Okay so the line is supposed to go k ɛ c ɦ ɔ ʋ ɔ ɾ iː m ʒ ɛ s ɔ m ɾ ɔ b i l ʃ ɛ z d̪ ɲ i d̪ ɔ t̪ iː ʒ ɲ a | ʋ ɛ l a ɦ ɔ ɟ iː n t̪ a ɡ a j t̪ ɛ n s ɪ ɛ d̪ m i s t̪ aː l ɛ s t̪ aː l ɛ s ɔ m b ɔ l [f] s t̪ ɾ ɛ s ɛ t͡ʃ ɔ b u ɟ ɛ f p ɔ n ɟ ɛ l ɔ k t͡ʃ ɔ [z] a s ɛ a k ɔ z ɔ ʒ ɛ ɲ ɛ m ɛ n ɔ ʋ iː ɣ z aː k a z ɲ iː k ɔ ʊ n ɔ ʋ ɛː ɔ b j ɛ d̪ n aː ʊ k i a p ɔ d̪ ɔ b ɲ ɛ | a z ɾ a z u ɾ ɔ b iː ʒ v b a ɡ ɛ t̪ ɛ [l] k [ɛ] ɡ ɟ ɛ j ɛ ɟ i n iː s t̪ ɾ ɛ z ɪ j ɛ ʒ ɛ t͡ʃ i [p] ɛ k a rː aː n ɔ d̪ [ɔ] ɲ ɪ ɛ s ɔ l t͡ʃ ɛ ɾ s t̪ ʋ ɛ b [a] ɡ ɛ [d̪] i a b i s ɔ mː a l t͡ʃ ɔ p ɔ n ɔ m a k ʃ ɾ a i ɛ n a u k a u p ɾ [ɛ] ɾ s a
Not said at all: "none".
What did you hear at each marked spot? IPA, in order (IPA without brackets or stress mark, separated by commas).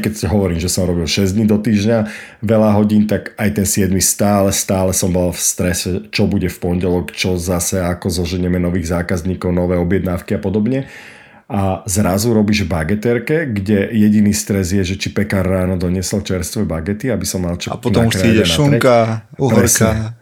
f, z, ɾ, ɛ, p, ɔ, a, t̪, ɛ